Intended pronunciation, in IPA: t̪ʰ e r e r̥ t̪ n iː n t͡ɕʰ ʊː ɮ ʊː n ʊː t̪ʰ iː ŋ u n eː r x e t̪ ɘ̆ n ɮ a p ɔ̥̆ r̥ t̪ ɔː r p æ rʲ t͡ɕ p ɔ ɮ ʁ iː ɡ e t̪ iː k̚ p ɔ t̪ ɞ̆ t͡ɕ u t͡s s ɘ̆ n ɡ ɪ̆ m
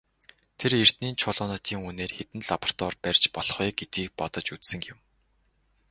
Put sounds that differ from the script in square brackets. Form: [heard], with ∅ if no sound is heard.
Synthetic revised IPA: t̪ʰ e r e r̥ t̪ n iː n t͡ɕʰ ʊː ɮ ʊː n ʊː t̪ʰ iː ŋ u n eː r x e t̪ ɘ̆ n ɮ a p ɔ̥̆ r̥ t̪ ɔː r p æ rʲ t͡ɕ p ɔ ɮ [χ] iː ɡ e t̪ iː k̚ p ɔ t̪ ɞ̆ t͡ɕ u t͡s s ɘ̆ [ŋ] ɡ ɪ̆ m